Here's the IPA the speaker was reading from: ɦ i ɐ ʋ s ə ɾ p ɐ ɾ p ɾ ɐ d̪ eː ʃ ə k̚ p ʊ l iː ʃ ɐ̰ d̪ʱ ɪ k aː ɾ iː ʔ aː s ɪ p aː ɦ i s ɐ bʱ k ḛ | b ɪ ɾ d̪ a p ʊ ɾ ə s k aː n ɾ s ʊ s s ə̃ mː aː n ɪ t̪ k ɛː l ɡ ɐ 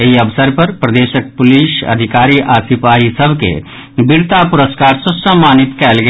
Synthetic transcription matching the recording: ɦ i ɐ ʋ s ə ɾ p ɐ ɾ p ɾ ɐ d̪ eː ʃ ə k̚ p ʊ l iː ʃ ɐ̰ d̪ʱ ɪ k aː ɾ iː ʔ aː s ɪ p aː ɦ i s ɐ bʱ k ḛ | b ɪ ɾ t̪ a p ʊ ɾ ə s k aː ɾ s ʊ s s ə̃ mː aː n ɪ t̪ k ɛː l ɡ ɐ